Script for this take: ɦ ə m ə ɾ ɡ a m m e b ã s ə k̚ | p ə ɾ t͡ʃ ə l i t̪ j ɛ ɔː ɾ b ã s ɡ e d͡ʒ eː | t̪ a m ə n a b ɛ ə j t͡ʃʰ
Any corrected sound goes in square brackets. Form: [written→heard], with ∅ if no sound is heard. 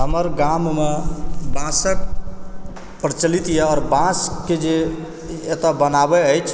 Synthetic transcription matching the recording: ɦ ə m ə ɾ ɡ a m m e b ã s ə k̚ | p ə ɾ t͡ʃ ə l i t̪ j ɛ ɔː ɾ b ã s [ɡ→k] e d͡ʒ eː | t̪ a [m→b] ə n a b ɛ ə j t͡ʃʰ